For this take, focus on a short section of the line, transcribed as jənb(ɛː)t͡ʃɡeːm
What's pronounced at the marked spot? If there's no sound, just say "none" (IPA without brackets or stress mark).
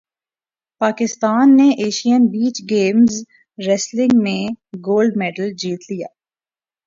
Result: iː